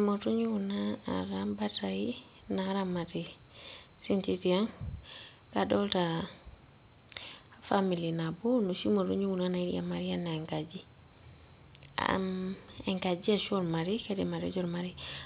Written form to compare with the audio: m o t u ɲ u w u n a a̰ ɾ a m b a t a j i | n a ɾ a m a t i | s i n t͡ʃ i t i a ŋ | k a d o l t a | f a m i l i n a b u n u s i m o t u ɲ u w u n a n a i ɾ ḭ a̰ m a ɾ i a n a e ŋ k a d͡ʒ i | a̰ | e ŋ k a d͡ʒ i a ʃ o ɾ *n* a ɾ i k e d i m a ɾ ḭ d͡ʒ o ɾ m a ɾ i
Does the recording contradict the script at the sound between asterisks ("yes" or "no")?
yes